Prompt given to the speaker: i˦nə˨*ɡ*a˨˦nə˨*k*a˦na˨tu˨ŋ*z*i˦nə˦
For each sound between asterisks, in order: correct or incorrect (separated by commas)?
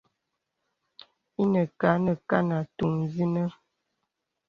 incorrect, correct, correct